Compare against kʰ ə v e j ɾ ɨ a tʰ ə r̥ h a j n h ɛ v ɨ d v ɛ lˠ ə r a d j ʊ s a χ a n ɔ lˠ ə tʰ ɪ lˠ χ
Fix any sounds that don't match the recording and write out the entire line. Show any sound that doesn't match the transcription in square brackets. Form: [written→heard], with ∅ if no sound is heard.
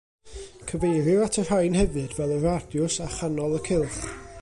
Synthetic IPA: kʰ ə v e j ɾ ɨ a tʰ ə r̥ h a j n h ɛ v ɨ d v ɛ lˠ ə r a d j ʊ s a χ a n ɔ lˠ ə [tʰ→kʰ] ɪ lˠ χ